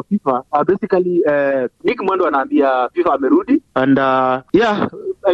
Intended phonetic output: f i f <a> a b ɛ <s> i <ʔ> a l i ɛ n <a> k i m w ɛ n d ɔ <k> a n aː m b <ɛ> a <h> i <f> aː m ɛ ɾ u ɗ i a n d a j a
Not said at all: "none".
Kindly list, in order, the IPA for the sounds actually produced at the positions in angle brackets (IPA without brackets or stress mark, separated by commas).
a, s, k, i, none, i, f, f